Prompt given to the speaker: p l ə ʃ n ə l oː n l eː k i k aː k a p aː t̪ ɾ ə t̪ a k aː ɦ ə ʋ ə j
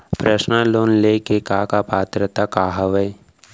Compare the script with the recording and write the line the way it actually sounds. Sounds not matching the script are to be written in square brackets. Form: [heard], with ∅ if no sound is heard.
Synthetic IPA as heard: p [ɾ] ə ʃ n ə l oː n l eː k [e] k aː k a p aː t̪ ɾ ə t̪ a k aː ɦ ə ʋ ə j